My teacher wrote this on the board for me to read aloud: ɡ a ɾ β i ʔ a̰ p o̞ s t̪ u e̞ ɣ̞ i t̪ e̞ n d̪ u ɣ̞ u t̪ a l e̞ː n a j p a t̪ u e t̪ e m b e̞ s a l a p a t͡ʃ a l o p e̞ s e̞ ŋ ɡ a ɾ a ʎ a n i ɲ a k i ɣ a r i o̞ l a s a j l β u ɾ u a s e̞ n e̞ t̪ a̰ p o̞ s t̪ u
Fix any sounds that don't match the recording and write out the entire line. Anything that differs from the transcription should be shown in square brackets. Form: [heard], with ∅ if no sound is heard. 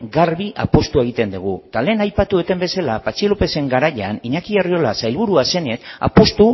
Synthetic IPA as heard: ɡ a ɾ β i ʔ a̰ p o̞ s t̪ u e̞ ɣ̞ i t̪ e̞ n d̪ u ɣ̞ u t̪ a l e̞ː n a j p a t̪ u e t̪ e m b e̞ s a l a p a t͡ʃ [i] l o p e̞ s e̞ ŋ ɡ a ɾ a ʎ a n i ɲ a k i ɣ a r i o̞ l a s a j l β u ɾ u a s e̞ n e̞ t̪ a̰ p o̞ s t̪ u

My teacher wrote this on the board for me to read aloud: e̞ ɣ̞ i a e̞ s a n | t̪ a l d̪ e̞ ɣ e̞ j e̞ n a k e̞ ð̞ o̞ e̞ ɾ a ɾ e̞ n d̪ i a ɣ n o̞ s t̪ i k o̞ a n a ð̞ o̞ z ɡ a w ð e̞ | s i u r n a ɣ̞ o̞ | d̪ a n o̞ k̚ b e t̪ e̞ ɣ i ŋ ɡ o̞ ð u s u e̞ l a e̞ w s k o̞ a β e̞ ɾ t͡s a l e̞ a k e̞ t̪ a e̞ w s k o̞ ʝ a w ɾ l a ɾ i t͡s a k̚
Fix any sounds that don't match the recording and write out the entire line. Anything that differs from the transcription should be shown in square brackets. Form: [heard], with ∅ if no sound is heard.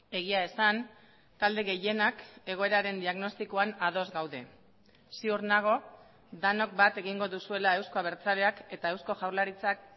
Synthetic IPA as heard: e̞ ɣ̞ i a e̞ s a n | t̪ a l d̪ e̞ ɣ e̞ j e̞ n a k e̞ [ɣ̞] o̞ e̞ ɾ a ɾ e̞ n d̪ i a ɣ n o̞ s t̪ i k o̞ a n a ð̞ o̞ z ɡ a w ð e̞ | s i u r n a ɣ̞ o̞ | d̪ a n o̞ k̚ b [a] t̪ e̞ ɣ i ŋ ɡ o̞ ð u s u e̞ l a e̞ w s k o̞ a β e̞ ɾ t͡s a l e̞ a k e̞ t̪ a e̞ w s k o̞ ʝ a w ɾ l a ɾ i t͡s a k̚

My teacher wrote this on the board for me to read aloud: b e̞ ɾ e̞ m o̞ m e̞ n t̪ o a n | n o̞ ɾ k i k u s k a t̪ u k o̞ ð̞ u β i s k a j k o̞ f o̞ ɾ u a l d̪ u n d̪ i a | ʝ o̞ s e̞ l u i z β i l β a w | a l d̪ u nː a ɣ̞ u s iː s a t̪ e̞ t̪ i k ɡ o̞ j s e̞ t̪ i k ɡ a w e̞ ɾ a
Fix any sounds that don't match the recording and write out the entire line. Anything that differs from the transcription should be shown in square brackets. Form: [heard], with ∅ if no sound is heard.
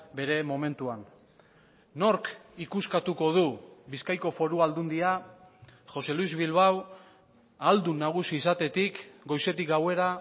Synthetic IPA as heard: b e̞ ɾ e̞ m o̞ m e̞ n t̪ [u] a n | n o̞ ɾ k i k u s k a t̪ u k o̞ ð̞ u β i s k a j k o̞ f o̞ ɾ u a l d̪ u n d̪ i a | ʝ o̞ s e̞ l u i z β i l β a w | a l d̪ u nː a ɣ̞ u s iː s a t̪ e̞ t̪ i k ɡ o̞ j s e̞ t̪ i k ɡ a w e̞ ɾ a

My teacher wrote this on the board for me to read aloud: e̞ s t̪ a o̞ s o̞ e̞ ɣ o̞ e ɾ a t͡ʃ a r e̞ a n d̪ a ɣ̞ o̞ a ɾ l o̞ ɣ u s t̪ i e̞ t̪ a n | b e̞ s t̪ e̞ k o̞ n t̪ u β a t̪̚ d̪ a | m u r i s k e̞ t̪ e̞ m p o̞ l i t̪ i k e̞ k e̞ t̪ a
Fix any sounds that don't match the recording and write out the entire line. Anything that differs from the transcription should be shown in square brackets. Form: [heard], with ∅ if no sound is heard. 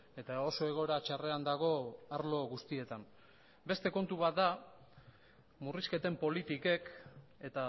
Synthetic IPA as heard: e̞ [∅] t̪ a o̞ s o̞ e̞ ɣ o̞ e ɾ a t͡ʃ a r e̞ a n d̪ a ɣ̞ o̞ a ɾ l o̞ ɣ u s t̪ i e̞ t̪ a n | b e̞ s t̪ e̞ k o̞ n t̪ u β a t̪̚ d̪ a | m u r i s k e̞ t̪ e̞ m p o̞ l i t̪ i k e̞ k e̞ t̪ a

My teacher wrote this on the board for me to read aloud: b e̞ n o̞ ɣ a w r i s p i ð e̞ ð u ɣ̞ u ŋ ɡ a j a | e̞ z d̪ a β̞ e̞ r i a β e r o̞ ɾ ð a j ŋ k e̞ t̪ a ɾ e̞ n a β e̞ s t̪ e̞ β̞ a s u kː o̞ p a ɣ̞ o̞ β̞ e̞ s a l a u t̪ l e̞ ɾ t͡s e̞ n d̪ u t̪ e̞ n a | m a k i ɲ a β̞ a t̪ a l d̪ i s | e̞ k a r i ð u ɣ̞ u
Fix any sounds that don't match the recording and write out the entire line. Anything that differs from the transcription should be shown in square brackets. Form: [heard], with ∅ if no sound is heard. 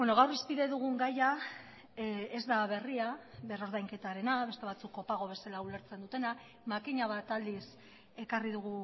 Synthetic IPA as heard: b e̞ n o̞ ɣ a w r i s p i ð e̞ ð u ɣ̞ u ŋ ɡ a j a | e̞ z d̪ a β̞ e̞ r i a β e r o̞ ɾ ð a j ŋ k e̞ t̪ a ɾ e̞ n a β e̞ s t̪ e̞ β̞ a [t͡s] u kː o̞ p a ɣ̞ o̞ β̞ e̞ s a l a u [∅] l e̞ ɾ t͡s e̞ n d̪ u t̪ e̞ n a | m a k i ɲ a β̞ a t̪ a l d̪ i s | e̞ k a r i ð u ɣ̞ u

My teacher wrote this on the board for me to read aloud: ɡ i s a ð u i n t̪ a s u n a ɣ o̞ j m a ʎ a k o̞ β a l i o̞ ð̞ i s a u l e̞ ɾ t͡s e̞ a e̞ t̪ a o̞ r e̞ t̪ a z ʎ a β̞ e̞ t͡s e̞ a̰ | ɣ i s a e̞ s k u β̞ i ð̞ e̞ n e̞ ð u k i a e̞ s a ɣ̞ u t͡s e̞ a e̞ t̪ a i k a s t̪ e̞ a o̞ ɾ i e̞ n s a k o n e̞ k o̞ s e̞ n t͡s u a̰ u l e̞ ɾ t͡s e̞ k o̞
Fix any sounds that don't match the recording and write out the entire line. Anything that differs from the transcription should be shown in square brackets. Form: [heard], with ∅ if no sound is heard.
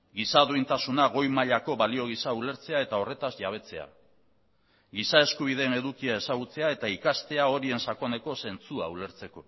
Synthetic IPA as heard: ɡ i s a ð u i n t̪ a s u n a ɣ o̞ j m a ʎ a k o̞ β a l i o̞ [ɣ̞] i s a u l e̞ ɾ t͡s e̞ a e̞ t̪ a o̞ r e̞ t̪ a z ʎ a β̞ e̞ t͡s e̞ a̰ | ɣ i s a e̞ s k u β̞ i ð̞ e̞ n e̞ ð u k i a e̞ s a ɣ̞ u t͡s e̞ a e̞ t̪ a i k a s t̪ e̞ a o̞ ɾ i e̞ n s a k o n e̞ k o̞ s e̞ n t͡s u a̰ u l e̞ ɾ t͡s e̞ k o̞

